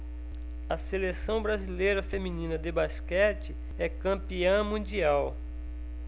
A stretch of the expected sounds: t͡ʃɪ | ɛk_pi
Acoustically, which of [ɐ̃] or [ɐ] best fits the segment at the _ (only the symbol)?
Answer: ɐ̃